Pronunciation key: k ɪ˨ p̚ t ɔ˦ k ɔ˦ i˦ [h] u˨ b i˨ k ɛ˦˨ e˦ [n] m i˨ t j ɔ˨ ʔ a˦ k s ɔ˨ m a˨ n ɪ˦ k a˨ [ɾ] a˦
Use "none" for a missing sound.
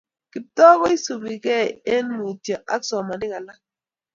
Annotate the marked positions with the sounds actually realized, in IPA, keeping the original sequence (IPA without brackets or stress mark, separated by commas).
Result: s, n, l